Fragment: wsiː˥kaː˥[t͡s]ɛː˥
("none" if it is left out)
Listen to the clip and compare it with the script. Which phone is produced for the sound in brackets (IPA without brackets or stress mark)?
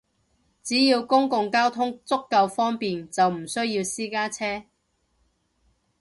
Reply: t͡sʰ